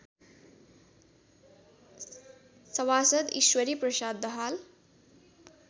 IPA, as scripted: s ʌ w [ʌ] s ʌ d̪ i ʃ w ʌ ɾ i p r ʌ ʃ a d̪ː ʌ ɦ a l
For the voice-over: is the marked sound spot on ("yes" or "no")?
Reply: no